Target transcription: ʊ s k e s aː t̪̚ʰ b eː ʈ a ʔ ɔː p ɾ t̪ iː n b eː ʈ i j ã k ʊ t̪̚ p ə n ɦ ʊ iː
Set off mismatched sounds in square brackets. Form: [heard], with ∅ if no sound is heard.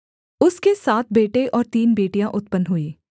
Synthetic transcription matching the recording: ʊ s k e s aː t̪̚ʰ b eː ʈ [e] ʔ ɔː [∅] ɾ t̪ iː n b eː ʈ i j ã [ʔ] ʊ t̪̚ p ə n ɦ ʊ iː

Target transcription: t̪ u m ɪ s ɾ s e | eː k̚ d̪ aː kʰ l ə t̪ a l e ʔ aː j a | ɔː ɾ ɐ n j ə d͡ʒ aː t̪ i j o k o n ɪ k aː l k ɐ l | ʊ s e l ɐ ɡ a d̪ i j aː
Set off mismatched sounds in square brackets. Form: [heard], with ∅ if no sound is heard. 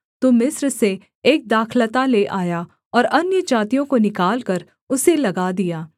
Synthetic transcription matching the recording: t̪ [o] m ɪ s ɾ s e | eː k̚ d̪ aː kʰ l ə t̪ a l e ʔ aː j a | ɔː ɾ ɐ n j ə d͡ʒ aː t̪ i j [õ] k o n ɪ k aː l k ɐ [ɾ] | ʊ s e l ɐ ɡ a d̪ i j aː

